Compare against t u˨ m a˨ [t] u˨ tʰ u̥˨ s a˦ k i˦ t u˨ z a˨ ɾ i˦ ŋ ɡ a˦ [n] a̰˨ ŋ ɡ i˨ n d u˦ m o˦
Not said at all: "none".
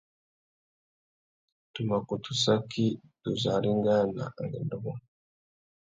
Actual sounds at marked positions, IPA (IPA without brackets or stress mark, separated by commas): k, n